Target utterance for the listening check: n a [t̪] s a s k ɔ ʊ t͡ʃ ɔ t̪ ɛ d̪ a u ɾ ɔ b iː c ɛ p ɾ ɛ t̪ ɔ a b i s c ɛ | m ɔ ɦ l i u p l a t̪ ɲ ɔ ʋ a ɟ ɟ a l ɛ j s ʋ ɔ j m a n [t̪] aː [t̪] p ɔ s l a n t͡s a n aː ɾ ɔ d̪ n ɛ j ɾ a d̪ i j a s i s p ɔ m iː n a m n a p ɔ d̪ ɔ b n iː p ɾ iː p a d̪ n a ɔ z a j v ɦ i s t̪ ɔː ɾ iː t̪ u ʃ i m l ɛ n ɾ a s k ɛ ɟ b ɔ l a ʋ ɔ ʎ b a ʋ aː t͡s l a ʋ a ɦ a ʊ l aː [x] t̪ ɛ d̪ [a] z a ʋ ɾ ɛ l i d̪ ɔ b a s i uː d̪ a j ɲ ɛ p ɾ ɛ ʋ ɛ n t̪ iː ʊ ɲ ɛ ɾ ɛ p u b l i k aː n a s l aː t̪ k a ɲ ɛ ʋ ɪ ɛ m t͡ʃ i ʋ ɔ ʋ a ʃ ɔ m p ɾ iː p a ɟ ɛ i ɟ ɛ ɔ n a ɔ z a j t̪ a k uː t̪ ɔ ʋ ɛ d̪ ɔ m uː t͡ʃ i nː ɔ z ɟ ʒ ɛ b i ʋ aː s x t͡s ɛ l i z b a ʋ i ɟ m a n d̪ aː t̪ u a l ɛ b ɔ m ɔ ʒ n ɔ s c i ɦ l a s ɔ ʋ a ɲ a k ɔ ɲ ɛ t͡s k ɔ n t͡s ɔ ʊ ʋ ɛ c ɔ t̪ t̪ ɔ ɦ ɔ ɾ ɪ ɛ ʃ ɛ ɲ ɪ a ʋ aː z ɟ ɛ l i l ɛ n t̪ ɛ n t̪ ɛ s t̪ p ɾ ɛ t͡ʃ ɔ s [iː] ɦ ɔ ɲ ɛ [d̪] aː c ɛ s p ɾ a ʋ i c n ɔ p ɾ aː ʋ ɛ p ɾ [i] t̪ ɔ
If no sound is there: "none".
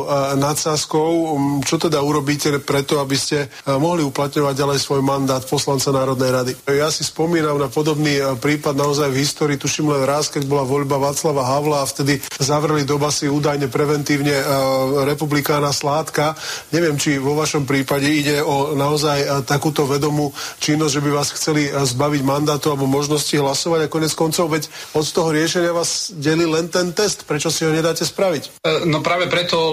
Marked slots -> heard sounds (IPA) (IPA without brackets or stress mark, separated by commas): t̪, d̪, t̪, f, i, i, d̪, ɛ